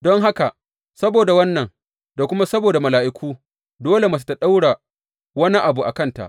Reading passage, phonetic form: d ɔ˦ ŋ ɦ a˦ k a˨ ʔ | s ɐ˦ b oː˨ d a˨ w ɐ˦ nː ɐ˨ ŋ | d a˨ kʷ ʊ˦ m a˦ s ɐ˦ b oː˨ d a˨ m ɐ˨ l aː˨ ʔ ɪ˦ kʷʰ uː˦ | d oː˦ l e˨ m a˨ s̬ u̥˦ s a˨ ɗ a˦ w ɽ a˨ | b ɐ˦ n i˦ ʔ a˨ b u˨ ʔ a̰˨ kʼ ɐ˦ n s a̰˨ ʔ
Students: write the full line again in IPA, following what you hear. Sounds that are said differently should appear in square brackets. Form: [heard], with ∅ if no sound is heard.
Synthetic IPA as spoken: d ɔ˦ ŋ ɦ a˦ k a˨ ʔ | s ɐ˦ b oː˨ d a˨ w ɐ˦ nː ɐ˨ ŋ | d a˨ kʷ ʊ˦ m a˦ s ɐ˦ b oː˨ d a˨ m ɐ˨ l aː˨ ʔ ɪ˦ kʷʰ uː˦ | d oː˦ l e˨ m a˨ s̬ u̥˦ [t] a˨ ɗ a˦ w ɽ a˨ | [w] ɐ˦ n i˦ ʔ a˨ b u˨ ʔ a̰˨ [k] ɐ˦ n [t] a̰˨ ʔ